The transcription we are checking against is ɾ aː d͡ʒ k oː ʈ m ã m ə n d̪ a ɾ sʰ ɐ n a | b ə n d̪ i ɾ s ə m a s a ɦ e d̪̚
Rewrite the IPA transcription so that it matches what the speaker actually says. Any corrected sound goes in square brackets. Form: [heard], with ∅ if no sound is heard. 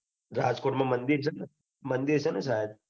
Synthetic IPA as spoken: ɾ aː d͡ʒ k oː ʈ m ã m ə n d̪ [i] ɾ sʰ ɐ n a | [m] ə n d̪ i ɾ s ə [n] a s a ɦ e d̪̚